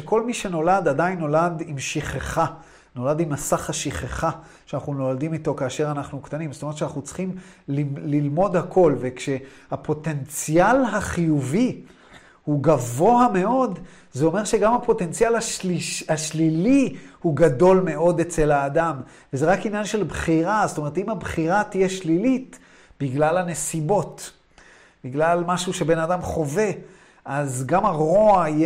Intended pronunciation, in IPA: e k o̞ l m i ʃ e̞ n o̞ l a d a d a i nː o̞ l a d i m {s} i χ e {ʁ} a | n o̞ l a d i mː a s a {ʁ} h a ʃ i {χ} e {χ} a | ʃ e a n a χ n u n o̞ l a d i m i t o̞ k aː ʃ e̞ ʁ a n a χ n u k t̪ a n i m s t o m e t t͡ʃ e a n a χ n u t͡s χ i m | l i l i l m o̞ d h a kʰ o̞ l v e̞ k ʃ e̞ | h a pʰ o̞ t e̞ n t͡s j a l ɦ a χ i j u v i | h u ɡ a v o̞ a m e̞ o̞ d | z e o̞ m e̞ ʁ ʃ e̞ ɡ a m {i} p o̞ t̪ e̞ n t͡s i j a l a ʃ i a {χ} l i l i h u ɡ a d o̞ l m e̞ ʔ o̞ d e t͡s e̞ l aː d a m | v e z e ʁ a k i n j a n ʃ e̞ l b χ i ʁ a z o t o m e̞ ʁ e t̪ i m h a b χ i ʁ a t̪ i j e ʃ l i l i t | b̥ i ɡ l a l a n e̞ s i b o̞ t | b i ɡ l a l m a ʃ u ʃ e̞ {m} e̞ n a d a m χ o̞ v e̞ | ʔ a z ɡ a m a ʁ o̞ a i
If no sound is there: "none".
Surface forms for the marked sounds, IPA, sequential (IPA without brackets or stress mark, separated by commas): ʃ, χ, χ, χ, χ, a, ʃ, b